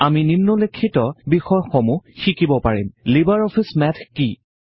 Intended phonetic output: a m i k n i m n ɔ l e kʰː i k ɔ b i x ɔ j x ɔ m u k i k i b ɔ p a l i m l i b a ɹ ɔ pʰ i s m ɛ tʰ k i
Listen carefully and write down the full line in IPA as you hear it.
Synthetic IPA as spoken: a m i n i m n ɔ l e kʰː i t ɔ b i x ɔ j x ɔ m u x i k i b ɔ p a ɹ i m l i b a ɹ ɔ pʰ i s m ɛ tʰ k i